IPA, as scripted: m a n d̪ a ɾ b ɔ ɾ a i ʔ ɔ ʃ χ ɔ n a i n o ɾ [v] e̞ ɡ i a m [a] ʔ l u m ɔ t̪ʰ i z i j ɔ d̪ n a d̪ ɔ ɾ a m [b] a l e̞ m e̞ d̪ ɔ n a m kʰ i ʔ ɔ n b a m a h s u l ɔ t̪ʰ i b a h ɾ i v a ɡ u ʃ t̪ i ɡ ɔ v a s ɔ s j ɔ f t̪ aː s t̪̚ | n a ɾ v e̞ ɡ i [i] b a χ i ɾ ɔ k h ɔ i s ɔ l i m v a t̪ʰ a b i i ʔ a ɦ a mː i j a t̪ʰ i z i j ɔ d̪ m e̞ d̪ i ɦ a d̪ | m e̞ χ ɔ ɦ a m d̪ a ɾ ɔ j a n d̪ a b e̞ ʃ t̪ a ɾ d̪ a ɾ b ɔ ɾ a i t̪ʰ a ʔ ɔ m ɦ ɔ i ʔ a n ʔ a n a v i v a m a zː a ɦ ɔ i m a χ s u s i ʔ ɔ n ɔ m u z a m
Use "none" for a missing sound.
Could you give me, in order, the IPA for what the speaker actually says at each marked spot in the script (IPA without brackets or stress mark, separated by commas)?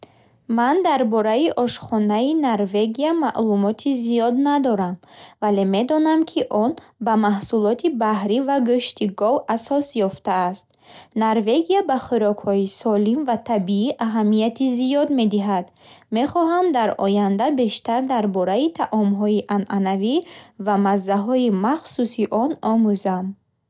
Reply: v, a, v, a